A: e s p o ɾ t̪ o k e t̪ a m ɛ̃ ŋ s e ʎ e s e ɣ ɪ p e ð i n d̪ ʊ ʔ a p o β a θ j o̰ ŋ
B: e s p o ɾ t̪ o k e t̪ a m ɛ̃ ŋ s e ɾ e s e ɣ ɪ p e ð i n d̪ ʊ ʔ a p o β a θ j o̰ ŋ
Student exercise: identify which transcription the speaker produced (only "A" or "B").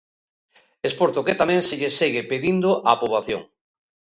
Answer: A